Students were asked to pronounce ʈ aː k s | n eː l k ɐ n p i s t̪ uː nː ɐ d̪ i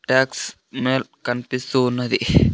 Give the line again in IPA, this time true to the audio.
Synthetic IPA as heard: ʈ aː k s | m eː l k ɐ n p i s t̪ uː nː ɐ d̪ i